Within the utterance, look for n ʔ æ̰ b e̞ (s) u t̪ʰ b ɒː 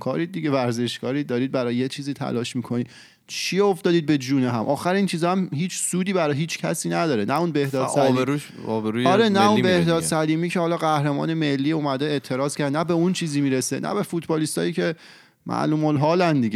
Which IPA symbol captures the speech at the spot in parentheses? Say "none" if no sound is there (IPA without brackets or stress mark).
f